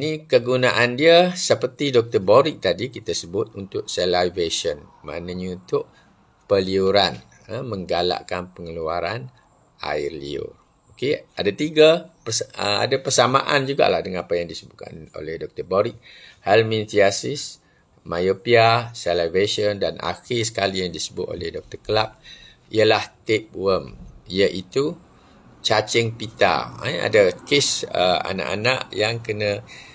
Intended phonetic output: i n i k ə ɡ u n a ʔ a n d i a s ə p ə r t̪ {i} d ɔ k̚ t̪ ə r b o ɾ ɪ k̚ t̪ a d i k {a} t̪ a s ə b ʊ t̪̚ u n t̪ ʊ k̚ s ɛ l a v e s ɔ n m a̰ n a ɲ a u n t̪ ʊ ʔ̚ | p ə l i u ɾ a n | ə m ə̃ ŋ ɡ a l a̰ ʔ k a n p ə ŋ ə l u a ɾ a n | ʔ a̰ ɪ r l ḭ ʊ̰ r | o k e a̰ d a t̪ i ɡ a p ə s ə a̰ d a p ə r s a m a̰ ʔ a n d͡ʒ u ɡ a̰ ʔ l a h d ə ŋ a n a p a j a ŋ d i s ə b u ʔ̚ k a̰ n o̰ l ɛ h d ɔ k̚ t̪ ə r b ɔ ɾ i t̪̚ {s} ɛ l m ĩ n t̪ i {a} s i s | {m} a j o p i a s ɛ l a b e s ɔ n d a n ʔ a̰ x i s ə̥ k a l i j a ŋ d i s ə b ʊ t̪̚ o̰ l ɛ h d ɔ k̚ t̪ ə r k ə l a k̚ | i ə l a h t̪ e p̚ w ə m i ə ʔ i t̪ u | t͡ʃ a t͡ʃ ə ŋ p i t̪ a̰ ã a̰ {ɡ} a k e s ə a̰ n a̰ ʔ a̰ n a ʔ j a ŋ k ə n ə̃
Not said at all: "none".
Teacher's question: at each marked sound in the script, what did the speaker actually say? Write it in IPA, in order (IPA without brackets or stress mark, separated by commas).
i, i, h, a, m, d